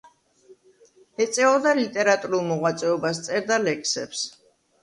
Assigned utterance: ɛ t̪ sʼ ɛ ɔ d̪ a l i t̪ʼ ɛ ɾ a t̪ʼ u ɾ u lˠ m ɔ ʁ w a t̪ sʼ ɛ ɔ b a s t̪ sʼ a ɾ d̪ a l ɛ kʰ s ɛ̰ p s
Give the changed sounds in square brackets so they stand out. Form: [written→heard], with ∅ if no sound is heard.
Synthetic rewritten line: ɛ t̪ sʼ ɛ ɔ d̪ a l i t̪ʼ ɛ ɾ a t̪ʼ u ɾ u lˠ m ɔ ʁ w a t̪ sʼ ɛ ɔ b a s t̪ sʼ [a→ɛ] ɾ d̪ a l ɛ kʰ s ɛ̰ p s